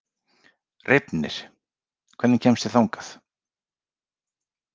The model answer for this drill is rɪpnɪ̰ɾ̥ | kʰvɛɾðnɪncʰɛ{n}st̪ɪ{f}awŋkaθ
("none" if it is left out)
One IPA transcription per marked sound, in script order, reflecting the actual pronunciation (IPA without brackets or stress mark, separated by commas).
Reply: m, θ